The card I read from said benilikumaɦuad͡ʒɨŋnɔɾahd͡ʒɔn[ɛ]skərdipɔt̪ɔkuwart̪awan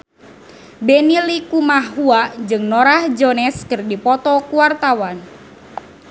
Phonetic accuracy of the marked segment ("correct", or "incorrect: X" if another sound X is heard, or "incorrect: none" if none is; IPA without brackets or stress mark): correct